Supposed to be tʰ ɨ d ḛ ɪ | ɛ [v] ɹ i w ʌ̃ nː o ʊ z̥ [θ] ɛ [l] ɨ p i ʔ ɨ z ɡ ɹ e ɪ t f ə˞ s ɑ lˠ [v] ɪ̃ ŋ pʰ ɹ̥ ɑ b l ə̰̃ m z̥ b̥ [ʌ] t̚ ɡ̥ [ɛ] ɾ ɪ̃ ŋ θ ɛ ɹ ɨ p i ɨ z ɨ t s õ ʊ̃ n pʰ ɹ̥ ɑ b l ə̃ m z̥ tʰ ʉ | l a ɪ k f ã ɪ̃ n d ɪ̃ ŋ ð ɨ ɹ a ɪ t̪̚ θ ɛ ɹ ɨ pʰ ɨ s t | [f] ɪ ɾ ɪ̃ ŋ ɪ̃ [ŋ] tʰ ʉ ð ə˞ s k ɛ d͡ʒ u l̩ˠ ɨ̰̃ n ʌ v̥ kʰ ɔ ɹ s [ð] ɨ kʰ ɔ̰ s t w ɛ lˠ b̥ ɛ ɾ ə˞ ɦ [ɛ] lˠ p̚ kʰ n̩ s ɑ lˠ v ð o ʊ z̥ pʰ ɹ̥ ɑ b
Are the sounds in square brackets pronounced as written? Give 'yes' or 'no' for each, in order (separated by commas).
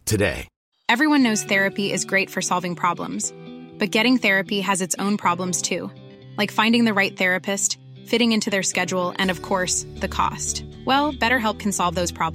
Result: yes, yes, no, yes, yes, yes, yes, no, yes, yes